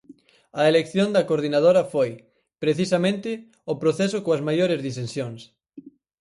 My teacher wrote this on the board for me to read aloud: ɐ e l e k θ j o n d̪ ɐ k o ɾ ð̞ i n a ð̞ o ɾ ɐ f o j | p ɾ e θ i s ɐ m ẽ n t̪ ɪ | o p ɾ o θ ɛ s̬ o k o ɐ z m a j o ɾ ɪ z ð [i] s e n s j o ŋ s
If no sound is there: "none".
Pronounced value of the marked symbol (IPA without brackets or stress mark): i